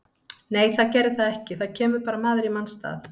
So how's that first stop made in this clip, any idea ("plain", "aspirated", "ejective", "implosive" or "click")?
plain